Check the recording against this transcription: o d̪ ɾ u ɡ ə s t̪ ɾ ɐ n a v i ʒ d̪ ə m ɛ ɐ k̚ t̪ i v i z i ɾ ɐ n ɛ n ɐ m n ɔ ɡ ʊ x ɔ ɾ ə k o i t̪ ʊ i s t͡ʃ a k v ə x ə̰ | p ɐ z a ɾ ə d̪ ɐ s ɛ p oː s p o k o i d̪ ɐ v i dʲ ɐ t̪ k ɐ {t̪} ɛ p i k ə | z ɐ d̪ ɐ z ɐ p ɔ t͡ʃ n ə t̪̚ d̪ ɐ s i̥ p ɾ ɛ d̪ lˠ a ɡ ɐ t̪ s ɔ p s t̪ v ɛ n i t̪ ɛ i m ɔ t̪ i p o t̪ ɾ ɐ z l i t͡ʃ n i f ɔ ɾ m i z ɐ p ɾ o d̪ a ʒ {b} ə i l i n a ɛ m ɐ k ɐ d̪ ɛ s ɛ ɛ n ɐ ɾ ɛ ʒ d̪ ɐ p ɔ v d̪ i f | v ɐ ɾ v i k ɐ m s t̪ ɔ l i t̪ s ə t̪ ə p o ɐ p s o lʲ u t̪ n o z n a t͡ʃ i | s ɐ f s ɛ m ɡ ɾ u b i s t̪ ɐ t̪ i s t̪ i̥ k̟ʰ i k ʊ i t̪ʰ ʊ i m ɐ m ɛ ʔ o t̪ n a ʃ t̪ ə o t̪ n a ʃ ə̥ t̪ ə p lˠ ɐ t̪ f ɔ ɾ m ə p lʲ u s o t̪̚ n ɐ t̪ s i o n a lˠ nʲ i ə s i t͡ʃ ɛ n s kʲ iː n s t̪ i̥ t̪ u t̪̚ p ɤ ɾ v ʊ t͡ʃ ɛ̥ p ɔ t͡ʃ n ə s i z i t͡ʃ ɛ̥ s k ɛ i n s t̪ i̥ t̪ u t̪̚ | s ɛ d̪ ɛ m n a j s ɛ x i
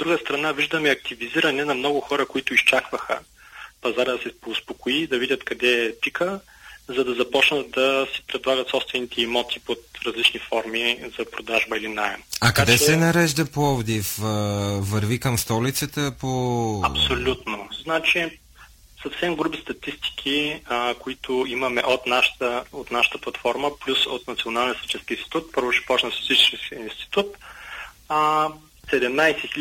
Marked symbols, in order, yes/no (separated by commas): no, yes